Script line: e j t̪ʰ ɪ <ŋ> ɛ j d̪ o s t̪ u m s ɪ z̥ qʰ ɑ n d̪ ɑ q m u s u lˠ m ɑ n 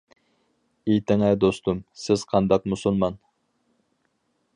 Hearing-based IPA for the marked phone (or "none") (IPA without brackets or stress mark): ŋ